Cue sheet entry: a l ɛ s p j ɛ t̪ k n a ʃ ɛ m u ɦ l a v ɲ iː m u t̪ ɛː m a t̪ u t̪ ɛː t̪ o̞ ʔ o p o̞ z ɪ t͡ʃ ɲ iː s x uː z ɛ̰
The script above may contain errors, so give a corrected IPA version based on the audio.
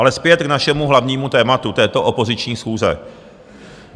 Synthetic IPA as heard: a l ɛ s p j ɛ t̪ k n a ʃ ɛ m u ɦ l a v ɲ iː m u t̪ ɛː m a t̪ u t̪ ɛː t̪ o̞ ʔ o p o̞ z ɪ t͡ʃ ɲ iː s x uː z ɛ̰

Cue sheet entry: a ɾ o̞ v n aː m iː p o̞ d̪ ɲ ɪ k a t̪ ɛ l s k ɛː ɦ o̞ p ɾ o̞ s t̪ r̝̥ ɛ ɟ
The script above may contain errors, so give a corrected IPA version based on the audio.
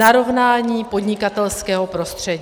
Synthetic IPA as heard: a ɾ o̞ v n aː ɲ iː p o̞ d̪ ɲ ɪ k a t̪ ɛ l s k ɛː ɦ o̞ p ɾ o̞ s t̪ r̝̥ ɛ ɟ

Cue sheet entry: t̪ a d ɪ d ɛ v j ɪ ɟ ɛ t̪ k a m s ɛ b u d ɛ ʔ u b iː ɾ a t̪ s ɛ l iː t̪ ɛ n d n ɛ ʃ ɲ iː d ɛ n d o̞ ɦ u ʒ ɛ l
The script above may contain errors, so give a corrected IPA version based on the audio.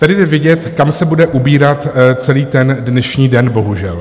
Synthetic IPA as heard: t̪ a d ɪ d ɛ v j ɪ ɟ ɛ t̪ k a m s ɛ b u d ɛ ʔ u b iː ɾ a t̪ t͡s ɛ l iː t̪ ɛ n d n ɛ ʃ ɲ iː d ɛ n b o̞ ɦ u ʒ ɛ l

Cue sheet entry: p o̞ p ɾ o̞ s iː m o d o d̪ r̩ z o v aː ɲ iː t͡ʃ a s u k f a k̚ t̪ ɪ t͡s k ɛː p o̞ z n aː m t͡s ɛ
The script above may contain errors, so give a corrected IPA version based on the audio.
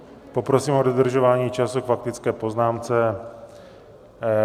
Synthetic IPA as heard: p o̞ p ɾ o̞ s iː m o d o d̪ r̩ ʒ o v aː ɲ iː t͡ʃ a s u k f a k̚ t̪ ɪ t͡s k ɛː p o̞ z n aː m t͡s ɛ

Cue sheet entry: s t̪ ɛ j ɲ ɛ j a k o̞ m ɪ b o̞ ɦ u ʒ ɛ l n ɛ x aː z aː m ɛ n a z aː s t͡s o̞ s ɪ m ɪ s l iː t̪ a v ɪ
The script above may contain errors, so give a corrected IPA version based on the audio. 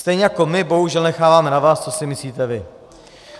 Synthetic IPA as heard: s t̪ ɛ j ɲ ɛ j a k o̞ m ɪ b o̞ ɦ u ʒ ɛ l n ɛ x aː v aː m ɛ n a v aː s t͡s o̞ s ɪ m ɪ s l iː t̪ ɛ v ɪ

